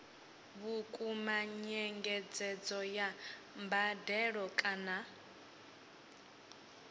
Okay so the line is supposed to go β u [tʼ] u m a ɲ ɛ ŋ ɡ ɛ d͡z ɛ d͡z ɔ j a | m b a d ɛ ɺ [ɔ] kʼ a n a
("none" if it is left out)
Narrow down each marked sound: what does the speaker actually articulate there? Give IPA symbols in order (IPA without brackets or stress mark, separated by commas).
kʼ, ɔ